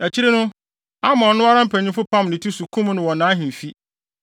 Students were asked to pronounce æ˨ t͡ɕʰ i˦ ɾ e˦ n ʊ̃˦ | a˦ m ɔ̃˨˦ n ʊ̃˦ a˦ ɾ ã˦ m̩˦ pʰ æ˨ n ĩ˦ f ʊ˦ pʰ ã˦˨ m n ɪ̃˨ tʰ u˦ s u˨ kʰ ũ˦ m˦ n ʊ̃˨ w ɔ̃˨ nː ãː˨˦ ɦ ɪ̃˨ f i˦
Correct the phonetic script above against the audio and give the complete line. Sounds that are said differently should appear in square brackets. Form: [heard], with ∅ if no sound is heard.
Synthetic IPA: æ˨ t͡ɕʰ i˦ ɾ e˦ n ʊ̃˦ | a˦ m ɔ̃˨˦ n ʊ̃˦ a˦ ɾ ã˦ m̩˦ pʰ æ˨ [ɲ] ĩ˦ f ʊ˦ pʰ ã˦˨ m n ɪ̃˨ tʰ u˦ s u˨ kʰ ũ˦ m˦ n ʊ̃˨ w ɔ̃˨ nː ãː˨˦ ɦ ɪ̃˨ f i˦